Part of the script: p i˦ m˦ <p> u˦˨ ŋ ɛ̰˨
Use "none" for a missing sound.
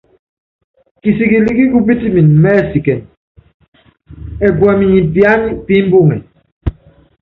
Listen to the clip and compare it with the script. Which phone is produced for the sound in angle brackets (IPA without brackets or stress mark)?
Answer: b